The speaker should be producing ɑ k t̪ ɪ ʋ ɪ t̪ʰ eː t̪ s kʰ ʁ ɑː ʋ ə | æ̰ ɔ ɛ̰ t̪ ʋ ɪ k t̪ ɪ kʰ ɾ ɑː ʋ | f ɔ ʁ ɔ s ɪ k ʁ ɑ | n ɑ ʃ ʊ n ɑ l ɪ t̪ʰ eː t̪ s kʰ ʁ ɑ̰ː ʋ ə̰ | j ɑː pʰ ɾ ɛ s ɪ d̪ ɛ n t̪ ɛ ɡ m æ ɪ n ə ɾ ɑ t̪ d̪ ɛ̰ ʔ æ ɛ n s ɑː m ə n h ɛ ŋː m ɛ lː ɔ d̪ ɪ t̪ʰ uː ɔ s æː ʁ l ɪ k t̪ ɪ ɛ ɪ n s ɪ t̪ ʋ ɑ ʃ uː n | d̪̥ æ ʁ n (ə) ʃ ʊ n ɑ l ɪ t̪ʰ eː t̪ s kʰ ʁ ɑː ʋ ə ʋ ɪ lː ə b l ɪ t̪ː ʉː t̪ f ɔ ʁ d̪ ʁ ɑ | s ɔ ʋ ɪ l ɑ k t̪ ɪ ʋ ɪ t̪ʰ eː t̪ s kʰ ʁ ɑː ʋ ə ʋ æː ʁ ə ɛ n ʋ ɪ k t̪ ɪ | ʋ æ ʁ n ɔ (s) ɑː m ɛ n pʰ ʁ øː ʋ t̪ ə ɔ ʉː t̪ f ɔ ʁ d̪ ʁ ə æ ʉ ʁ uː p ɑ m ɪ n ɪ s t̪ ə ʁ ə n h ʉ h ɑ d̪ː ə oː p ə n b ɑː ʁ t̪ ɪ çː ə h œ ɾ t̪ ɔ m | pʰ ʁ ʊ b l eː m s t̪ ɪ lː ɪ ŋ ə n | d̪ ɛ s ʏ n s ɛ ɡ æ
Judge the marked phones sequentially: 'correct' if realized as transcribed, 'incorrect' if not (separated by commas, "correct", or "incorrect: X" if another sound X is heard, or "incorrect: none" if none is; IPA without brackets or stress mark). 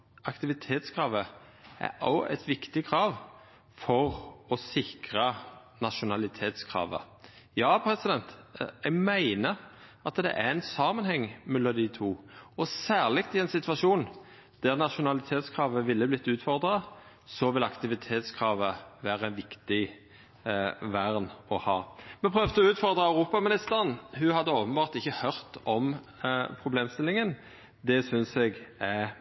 incorrect: ɑ, incorrect: h